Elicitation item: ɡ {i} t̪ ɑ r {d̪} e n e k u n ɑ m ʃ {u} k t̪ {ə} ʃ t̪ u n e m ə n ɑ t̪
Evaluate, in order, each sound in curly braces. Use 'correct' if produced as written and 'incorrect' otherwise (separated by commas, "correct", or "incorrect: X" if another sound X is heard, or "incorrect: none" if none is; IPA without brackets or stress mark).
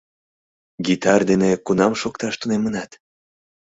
correct, correct, incorrect: o, incorrect: ɑ